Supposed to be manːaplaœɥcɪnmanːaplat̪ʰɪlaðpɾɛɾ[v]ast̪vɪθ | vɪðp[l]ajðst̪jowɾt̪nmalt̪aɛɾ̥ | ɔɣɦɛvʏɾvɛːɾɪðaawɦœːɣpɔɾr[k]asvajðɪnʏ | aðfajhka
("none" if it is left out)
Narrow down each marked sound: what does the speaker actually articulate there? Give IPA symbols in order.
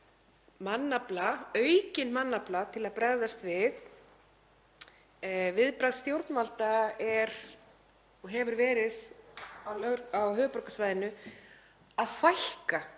ð, ɾ, k

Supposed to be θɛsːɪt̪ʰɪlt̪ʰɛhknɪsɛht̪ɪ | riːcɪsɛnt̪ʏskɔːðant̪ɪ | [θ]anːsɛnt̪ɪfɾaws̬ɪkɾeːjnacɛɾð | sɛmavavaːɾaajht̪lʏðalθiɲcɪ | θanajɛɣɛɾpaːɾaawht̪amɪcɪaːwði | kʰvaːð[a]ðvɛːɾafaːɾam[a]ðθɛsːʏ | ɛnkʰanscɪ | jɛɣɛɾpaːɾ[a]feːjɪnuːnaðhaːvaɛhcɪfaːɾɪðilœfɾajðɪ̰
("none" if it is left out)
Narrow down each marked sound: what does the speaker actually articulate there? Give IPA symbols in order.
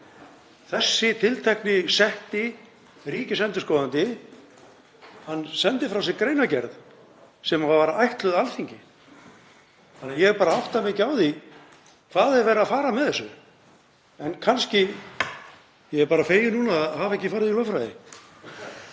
h, ɛ, ɛ, a

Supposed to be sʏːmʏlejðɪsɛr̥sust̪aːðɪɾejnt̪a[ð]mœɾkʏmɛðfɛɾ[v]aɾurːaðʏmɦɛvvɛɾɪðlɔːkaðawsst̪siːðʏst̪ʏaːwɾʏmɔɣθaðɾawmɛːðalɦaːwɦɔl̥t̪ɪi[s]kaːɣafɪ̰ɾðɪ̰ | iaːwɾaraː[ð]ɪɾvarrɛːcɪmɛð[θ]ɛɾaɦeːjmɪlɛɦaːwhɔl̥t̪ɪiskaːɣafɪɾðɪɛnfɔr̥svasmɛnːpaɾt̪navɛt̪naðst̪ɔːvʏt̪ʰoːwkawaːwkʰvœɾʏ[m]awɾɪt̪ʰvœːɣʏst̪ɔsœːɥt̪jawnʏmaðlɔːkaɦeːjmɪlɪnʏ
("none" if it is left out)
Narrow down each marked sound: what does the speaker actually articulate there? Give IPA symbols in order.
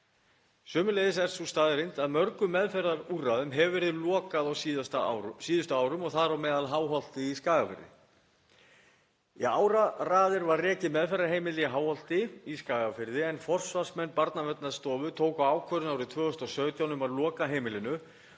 ð, ð, s, ð, f, n

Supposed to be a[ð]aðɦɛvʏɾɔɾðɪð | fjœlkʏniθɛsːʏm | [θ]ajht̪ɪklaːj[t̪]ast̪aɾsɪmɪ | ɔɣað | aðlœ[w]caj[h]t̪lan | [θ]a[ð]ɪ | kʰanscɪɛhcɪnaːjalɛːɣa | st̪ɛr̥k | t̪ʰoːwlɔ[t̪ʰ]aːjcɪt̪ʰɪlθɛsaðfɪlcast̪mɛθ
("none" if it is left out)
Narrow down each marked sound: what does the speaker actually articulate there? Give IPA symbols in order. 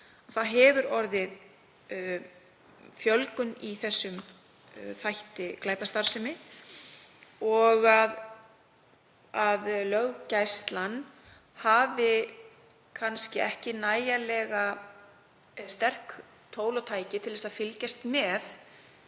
θ, θ, t̪, ɣ, s, h, v, t̪ʰ

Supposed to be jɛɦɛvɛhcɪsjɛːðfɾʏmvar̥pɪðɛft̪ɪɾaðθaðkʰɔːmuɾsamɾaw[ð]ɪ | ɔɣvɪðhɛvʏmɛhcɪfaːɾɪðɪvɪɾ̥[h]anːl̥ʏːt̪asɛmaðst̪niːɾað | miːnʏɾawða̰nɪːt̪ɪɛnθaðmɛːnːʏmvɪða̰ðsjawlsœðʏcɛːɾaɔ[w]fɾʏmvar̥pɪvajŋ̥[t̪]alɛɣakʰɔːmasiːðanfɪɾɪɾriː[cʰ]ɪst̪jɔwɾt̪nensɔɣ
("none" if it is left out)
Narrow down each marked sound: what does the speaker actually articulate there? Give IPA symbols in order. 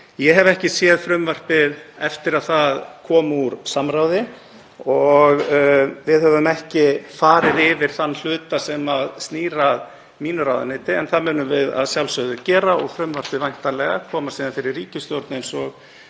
ð, θ, ɣ, t̪, c

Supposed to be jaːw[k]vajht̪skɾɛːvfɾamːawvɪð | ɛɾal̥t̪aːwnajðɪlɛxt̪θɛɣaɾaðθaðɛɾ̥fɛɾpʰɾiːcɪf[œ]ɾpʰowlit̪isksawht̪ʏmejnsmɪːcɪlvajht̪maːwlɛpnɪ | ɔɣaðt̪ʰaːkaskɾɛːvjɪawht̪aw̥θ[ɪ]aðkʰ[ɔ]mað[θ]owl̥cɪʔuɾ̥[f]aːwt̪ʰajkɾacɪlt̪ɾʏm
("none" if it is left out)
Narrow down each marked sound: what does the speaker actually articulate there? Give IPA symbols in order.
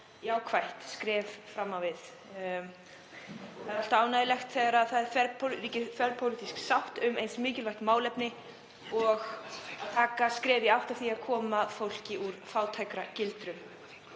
kʰ, ɛ, i, ɔː, f, f

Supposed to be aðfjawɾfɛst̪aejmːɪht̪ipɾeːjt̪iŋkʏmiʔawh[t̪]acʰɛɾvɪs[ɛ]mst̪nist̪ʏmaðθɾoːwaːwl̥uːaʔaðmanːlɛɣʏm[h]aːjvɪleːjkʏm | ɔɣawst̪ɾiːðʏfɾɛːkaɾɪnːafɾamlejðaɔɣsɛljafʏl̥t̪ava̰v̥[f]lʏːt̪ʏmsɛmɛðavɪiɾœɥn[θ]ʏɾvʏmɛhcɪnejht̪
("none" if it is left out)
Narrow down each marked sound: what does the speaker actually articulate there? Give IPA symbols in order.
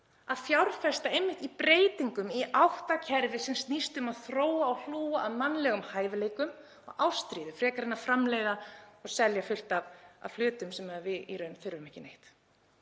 t̪, ɛ, h, f, θ

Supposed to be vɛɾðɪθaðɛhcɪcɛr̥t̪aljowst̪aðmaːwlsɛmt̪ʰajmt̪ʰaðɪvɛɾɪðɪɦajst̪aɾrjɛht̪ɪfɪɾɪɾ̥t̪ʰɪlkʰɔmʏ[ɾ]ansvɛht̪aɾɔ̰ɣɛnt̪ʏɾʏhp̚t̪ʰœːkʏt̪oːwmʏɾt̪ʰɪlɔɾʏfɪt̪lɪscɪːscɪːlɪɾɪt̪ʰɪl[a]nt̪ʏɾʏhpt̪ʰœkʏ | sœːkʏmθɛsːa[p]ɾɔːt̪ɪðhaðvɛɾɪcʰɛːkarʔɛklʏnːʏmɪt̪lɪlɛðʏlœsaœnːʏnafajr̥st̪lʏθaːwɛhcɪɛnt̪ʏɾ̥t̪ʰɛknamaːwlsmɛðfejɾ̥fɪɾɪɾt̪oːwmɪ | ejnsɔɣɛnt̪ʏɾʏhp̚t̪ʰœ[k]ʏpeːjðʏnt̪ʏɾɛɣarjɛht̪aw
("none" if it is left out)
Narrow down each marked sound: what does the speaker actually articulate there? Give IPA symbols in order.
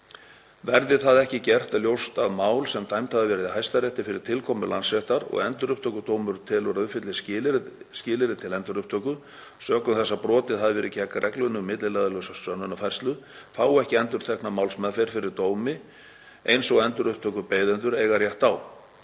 l, ɛ, p, k

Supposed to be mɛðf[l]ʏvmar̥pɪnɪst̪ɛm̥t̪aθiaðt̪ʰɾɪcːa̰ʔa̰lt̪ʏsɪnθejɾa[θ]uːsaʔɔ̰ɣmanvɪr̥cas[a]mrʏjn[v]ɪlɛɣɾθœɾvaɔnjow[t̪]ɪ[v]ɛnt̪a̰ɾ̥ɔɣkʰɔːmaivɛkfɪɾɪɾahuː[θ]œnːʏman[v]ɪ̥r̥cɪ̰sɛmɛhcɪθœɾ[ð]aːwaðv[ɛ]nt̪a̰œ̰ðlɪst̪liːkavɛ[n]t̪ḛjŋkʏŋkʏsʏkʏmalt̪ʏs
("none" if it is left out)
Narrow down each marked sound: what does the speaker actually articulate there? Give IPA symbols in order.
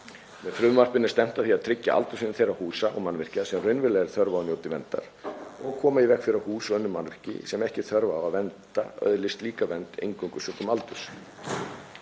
ɾ, h, ɛ, v, t̪, v, s, v, v, ɛ, n

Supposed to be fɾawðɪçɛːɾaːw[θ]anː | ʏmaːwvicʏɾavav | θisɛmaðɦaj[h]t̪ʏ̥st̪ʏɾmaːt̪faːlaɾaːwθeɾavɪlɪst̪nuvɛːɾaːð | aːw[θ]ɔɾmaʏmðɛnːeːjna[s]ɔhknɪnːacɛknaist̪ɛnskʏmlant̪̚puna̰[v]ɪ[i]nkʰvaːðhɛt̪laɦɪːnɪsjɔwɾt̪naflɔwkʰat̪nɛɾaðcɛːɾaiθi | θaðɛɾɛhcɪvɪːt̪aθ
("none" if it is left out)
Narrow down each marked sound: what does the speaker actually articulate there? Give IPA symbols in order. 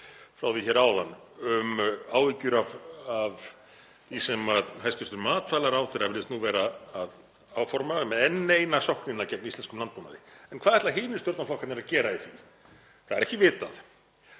ð, s, f, s, ð, ɛ

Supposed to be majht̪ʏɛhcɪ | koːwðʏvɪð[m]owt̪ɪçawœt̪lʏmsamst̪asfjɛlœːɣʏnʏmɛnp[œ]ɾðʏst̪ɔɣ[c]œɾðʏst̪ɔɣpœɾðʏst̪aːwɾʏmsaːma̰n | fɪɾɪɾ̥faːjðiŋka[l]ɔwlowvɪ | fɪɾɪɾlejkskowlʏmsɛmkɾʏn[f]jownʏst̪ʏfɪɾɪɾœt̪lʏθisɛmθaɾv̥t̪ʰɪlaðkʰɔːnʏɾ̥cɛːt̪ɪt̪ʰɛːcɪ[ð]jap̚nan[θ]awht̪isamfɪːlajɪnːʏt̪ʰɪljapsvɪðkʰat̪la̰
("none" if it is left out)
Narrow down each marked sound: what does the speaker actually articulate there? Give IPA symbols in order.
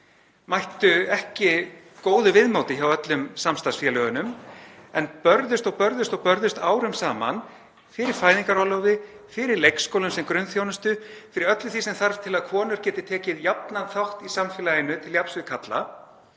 m, œ, p, ɾ, θ, ð, θ

